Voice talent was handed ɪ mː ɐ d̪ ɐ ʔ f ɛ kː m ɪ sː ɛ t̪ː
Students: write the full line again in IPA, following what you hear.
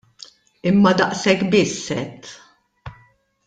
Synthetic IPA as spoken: ɪ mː ɐ d̪ ɐ ʔ s ɛ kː b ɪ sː ɛ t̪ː